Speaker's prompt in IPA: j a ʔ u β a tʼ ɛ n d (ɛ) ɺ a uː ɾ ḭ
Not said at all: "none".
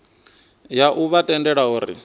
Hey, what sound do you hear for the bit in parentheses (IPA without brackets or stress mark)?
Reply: ɛ